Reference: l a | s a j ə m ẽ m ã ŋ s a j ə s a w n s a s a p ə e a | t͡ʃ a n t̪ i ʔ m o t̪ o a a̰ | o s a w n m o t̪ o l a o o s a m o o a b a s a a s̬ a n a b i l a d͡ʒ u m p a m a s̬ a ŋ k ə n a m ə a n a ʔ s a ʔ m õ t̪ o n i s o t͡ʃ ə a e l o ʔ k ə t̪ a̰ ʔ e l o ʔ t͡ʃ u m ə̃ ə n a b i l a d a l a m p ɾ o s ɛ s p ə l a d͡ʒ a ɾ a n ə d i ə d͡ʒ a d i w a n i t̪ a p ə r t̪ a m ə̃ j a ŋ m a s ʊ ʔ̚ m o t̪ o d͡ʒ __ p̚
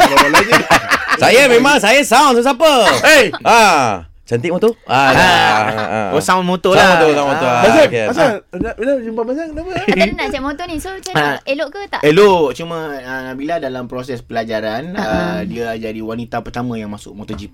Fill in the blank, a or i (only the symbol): i